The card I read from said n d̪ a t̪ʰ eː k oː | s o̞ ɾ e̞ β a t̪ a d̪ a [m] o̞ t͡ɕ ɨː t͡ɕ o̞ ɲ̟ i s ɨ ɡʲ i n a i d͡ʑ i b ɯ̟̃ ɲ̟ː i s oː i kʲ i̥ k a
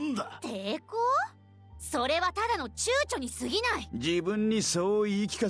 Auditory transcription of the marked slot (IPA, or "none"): n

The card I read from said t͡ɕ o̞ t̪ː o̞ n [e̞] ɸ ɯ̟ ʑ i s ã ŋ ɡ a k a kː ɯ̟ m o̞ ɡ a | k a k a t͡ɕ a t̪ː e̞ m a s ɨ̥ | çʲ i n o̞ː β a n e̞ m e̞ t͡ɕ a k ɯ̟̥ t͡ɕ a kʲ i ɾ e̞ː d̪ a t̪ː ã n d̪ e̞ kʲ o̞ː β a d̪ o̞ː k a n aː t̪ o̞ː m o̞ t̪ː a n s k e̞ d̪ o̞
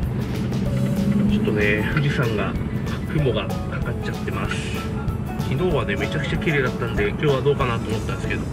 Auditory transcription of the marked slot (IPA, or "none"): e̞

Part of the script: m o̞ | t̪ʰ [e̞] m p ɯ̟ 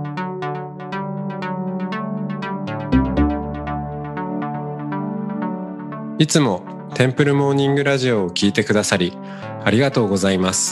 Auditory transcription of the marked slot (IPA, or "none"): ẽ̞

